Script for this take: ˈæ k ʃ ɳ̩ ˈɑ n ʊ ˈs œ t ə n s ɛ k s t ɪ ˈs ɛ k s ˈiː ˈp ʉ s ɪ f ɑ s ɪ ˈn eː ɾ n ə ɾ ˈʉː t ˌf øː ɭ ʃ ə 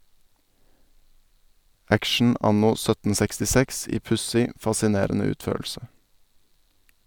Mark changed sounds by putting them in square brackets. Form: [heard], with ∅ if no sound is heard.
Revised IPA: ˈæ k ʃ ɳ̩ ˈɑ n ʊ ˈs œ t ə n s ɛ k s t ɪ ˈs ɛ k s ˈiː ˈp ʉ s ɪ f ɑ s ɪ ˈn eː ɾ n ə [∅] ˈʉː t ˌf øː ɭ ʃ ə